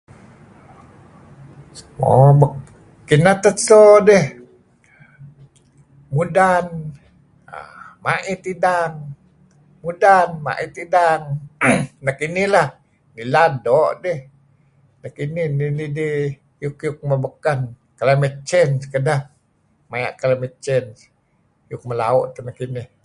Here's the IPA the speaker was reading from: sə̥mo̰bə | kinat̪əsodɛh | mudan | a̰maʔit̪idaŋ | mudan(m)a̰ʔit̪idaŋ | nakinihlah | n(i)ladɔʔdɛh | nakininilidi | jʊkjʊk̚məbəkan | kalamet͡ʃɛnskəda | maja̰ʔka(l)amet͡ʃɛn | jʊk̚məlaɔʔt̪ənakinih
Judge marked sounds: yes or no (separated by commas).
yes, yes, yes